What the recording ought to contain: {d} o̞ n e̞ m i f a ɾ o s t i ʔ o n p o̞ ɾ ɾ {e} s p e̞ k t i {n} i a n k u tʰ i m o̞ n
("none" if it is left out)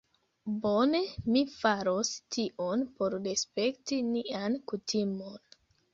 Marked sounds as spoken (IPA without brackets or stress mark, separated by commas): b, e, n